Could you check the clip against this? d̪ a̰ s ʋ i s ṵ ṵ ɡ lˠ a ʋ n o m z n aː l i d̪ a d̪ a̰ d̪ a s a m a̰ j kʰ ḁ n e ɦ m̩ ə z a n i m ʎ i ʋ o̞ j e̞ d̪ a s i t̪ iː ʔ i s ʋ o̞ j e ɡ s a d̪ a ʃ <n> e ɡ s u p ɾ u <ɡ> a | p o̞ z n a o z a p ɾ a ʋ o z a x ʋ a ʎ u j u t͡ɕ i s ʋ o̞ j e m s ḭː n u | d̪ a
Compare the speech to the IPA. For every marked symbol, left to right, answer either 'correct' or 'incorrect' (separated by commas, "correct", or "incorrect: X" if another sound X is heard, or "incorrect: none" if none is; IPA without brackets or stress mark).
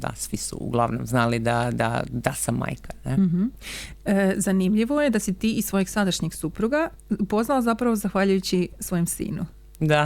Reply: incorrect: ɲ, correct